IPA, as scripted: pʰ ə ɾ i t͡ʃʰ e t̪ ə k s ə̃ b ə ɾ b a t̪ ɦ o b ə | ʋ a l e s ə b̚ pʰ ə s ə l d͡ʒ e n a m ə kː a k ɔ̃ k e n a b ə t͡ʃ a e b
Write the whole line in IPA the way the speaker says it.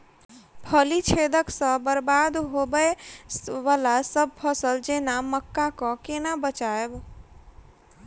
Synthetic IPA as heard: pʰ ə l i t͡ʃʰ e d̪ ə k s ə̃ b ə ɾ b a d̪ ɦ o b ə | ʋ a l a s ə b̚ pʰ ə s ə l d͡ʒ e n a m ə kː a k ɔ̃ k e n a b ə t͡ʃ a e b